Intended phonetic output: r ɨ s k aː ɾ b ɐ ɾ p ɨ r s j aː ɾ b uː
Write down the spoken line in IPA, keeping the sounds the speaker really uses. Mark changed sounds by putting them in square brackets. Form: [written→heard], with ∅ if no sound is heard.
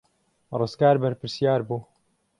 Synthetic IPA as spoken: r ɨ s k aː ɾ b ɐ ɾ p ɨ [r→ɾ] s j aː ɾ b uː